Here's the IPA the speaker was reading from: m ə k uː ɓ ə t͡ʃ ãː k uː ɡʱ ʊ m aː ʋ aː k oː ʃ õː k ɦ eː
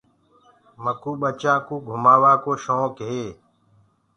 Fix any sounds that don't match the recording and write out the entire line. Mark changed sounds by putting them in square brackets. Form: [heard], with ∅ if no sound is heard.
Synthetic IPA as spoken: m ə k uː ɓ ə t͡ʃ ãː k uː ɡʱ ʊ m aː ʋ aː k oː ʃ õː k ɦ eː